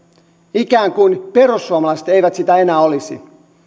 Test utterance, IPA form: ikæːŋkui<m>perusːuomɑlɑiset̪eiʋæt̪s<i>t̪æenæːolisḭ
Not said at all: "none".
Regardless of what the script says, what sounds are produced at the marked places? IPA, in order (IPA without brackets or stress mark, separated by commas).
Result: n, i